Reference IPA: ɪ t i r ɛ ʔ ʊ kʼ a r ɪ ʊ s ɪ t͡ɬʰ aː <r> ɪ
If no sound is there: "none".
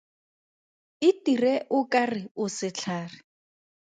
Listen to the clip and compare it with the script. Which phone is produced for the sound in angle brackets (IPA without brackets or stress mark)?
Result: r